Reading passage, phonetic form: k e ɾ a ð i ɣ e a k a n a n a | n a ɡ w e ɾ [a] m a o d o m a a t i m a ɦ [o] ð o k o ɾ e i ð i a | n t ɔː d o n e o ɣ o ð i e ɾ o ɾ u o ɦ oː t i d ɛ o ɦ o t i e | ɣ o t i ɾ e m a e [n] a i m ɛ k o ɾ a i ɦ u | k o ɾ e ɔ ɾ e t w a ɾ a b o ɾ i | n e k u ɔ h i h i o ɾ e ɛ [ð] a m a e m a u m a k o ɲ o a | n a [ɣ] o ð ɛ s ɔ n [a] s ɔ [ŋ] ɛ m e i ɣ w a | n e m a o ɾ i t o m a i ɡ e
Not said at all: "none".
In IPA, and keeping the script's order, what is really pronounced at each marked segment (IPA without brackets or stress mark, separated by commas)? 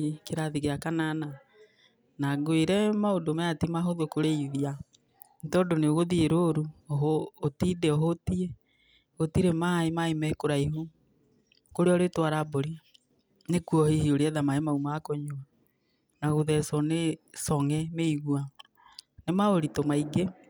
ɛ, o, m, ð, ɣ, e, ŋ